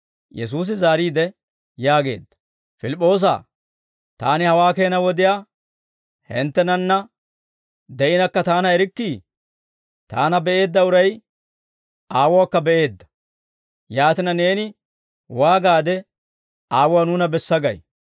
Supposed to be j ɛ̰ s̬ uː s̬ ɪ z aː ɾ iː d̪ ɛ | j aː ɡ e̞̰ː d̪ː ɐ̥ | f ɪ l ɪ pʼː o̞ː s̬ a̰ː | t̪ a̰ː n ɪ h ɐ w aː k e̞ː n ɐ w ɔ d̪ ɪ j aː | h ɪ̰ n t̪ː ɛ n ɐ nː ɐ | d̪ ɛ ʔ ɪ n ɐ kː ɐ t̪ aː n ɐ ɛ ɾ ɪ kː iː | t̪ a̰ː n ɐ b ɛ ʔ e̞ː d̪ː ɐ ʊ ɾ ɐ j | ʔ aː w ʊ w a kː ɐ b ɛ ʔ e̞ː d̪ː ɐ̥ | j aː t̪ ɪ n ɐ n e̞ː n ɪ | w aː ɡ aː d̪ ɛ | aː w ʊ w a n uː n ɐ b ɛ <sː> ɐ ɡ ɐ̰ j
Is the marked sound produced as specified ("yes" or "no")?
yes